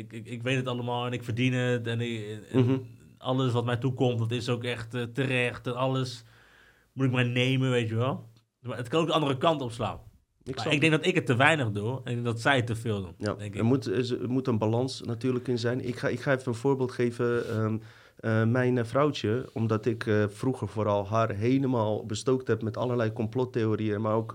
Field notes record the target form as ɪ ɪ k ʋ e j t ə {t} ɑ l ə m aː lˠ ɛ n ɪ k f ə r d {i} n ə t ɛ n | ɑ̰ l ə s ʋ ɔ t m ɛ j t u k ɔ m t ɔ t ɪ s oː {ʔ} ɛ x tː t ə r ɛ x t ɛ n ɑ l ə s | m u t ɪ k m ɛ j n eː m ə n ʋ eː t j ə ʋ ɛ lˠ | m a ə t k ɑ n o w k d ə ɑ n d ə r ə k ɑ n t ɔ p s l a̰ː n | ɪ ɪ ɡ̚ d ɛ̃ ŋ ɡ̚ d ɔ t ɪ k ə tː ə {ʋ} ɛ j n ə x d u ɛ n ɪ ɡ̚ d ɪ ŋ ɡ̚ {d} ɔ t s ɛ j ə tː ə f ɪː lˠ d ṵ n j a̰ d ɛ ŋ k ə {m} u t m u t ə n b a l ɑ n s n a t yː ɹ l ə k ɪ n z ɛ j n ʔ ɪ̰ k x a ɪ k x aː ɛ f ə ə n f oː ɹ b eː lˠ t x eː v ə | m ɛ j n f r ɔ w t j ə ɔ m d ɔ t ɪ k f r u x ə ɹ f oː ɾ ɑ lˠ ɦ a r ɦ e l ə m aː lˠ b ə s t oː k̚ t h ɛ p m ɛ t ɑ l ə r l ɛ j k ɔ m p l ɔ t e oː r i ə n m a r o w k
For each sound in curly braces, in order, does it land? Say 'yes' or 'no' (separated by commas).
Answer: yes, yes, no, yes, yes, yes